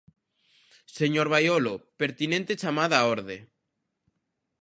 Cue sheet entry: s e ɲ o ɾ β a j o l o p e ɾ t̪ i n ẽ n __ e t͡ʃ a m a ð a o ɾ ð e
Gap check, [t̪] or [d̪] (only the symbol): t̪